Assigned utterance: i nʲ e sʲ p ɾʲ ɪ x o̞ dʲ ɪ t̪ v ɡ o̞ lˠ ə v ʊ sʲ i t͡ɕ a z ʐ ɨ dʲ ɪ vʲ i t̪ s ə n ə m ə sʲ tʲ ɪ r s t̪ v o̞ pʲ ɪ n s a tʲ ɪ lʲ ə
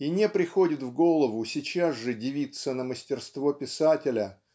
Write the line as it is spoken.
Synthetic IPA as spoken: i nʲ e p ɾʲ ɪ x o̞ dʲ ɪ t̪ v ɡ o̞ lˠ ə v ʊ sʲ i t͡ɕ a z ʐ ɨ dʲ ɪ vʲ i t̪ s ə n ə m ə sʲ tʲ ɪ r s t̪ v o̞ pʲ ɪ s a tʲ ɪ lʲ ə